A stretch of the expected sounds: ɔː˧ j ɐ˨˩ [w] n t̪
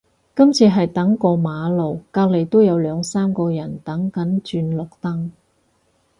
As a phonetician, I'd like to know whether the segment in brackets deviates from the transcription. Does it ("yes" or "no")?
yes